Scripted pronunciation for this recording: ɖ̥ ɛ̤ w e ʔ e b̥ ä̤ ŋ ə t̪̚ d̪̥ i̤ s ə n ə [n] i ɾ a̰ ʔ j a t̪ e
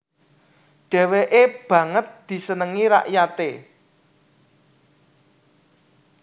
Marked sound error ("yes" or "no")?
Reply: yes